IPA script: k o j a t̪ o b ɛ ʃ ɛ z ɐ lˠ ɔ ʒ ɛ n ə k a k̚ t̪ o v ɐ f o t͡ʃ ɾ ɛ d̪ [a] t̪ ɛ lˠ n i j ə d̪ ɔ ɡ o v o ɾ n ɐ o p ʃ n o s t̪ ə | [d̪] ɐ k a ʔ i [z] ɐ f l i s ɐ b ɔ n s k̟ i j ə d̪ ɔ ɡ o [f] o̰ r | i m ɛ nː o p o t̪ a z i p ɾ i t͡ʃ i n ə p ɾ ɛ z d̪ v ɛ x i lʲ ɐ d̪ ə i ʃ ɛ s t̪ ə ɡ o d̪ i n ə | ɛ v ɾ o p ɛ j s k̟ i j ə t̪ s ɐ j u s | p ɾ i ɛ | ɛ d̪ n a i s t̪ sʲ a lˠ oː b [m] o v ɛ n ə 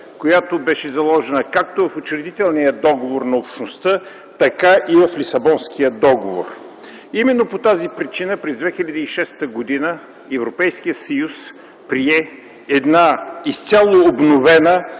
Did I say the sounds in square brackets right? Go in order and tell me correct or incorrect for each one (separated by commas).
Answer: incorrect, incorrect, incorrect, incorrect, incorrect